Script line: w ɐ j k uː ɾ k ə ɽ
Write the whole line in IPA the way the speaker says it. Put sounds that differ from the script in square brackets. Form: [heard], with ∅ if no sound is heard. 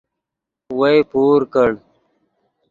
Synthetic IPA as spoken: w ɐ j [p] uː ɾ k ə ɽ

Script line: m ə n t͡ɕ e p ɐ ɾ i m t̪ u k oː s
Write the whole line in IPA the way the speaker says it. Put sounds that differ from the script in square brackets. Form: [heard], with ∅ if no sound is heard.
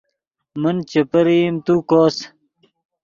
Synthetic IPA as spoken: m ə n t͡ɕ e p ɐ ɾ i m t̪ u k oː s

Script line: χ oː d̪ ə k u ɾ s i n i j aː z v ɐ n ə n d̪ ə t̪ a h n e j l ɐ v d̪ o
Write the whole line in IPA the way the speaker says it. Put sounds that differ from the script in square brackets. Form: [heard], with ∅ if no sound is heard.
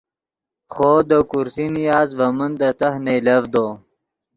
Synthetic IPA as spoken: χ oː d̪ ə k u ɾ s i n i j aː z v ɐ [m] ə n d̪ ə t̪ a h n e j l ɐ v d̪ o

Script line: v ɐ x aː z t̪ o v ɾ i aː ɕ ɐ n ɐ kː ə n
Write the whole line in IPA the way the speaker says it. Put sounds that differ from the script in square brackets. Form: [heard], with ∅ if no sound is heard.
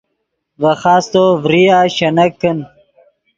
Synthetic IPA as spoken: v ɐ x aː [s] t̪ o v ɾ i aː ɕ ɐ n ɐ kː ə n

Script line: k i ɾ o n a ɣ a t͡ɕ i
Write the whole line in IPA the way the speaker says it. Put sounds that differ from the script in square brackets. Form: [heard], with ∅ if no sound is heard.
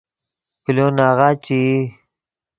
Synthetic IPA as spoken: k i [l] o n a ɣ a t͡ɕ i

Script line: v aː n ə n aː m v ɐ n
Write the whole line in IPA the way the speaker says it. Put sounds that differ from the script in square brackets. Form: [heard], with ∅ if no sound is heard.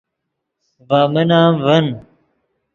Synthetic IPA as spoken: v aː [m] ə n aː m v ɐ n

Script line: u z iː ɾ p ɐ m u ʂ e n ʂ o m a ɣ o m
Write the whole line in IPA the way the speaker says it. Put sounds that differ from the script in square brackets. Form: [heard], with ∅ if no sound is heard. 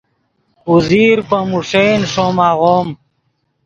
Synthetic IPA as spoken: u z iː ɾ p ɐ m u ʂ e n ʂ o m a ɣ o m

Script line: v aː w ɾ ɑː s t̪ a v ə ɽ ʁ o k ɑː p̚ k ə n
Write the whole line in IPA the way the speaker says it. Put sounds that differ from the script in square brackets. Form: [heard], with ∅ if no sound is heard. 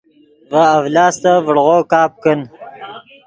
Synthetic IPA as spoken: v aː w [l] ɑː s t̪ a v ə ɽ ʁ o k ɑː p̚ k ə n

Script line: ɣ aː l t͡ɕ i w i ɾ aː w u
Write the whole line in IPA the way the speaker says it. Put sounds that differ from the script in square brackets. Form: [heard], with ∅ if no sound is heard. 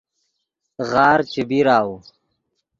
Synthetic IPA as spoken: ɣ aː [ɾ] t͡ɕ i [b] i ɾ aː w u

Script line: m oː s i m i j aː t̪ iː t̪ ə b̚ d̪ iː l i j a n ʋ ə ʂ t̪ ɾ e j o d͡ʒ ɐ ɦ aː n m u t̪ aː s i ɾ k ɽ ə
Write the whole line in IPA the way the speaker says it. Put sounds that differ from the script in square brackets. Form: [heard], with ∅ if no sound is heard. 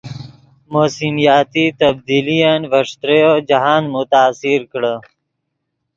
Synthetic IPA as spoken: m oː s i m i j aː t̪ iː t̪ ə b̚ d̪ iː l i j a n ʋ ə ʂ t̪ ɾ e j o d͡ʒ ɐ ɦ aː n m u t̪ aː s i ɾ k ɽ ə

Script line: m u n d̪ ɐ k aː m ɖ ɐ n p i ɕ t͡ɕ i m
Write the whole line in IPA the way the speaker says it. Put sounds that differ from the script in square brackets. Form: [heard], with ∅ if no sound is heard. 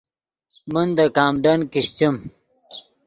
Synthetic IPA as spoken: m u n d̪ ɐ k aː m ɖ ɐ n [k] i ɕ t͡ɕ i m

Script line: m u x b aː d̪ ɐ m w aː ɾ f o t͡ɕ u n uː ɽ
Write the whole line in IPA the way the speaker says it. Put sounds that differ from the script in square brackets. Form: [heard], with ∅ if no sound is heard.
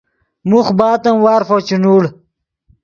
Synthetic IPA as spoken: m u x b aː [t̪] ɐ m w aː ɾ f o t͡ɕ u n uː ɽ

